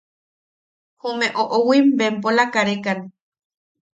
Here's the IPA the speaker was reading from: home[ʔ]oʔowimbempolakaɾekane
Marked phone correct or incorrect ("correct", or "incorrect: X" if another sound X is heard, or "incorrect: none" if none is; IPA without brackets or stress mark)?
correct